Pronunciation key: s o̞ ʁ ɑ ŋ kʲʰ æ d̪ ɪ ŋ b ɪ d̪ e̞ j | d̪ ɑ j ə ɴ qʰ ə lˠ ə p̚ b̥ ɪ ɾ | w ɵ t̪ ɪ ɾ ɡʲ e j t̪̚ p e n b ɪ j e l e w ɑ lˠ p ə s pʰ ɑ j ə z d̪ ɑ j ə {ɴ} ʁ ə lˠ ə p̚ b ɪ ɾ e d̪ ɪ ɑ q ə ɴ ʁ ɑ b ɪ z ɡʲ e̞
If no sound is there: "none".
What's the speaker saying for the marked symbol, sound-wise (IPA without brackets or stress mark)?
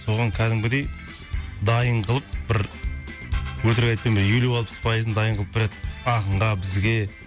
ɴ